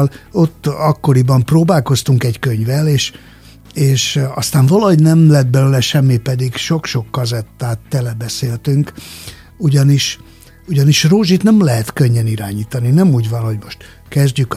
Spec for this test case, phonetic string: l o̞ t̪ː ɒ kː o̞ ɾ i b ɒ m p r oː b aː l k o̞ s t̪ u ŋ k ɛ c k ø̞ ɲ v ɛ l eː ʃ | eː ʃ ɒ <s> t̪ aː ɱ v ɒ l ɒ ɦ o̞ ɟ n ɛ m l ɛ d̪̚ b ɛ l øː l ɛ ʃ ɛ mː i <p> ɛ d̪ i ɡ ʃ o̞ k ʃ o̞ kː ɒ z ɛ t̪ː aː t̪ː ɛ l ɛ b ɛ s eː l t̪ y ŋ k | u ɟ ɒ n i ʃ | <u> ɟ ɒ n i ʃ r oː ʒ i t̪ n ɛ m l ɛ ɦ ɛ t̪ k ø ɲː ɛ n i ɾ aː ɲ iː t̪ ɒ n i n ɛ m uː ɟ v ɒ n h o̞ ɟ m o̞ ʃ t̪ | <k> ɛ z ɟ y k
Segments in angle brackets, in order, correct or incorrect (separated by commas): correct, correct, correct, correct